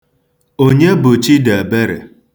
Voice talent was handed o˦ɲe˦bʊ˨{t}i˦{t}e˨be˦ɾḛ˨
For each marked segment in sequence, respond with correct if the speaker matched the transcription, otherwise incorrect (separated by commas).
incorrect, incorrect